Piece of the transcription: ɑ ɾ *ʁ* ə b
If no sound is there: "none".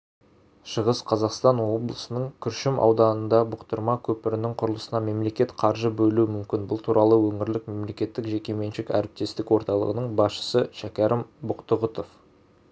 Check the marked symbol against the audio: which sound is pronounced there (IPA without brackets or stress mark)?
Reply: ʒ